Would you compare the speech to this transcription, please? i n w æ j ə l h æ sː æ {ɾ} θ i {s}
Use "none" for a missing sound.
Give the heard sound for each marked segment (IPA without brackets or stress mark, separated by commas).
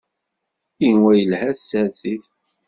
ɾ, θ